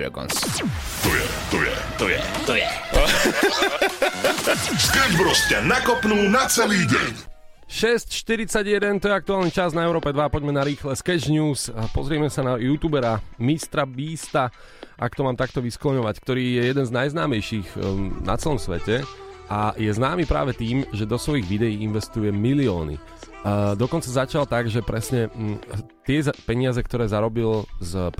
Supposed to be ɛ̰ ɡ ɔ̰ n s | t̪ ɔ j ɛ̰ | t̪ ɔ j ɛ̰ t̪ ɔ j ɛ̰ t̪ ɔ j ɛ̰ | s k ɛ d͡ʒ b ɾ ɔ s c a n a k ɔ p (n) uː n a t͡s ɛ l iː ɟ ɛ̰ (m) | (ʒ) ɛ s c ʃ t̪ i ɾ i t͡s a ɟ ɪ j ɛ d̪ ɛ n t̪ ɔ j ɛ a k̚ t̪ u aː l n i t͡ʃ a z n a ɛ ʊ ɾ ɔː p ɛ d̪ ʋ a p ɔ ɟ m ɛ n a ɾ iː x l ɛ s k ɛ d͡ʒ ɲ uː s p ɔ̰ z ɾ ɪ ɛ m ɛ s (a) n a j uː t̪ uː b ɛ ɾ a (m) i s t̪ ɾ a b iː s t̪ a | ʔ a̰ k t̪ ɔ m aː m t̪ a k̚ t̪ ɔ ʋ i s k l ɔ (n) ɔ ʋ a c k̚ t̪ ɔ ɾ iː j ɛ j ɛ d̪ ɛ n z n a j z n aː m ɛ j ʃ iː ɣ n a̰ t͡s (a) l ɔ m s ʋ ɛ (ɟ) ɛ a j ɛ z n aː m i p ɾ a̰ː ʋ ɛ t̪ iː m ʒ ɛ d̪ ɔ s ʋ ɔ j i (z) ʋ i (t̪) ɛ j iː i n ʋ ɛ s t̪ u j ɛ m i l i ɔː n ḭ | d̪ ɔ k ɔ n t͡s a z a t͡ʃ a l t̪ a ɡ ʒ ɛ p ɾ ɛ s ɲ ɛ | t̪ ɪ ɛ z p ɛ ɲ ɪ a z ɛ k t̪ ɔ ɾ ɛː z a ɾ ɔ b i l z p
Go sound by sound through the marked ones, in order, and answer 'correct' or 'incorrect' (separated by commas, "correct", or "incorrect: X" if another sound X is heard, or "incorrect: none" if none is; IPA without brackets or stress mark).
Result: correct, incorrect: ɲ, incorrect: ʃ, correct, correct, incorrect: ɲ, incorrect: ɛ, incorrect: c, incorrect: ɣ, incorrect: d̪